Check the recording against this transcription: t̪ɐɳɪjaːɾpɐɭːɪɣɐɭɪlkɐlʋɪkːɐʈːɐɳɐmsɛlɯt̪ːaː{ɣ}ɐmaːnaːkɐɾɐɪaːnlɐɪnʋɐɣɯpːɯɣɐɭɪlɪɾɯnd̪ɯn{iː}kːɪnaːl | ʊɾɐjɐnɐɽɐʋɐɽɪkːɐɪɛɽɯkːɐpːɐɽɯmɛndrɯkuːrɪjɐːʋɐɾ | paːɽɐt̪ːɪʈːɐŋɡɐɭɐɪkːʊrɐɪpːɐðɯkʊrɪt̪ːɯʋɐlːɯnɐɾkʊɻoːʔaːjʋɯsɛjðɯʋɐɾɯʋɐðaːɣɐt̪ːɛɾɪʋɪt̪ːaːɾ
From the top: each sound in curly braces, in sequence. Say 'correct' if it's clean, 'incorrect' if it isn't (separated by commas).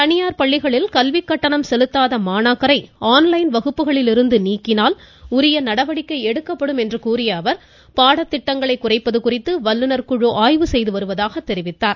incorrect, correct